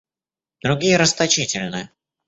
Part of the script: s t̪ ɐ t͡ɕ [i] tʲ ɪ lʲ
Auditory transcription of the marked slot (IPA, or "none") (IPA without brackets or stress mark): i